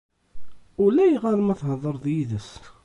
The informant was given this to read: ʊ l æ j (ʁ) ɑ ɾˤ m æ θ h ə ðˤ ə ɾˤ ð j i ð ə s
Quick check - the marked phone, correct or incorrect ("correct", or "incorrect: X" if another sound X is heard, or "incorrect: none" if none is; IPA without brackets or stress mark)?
correct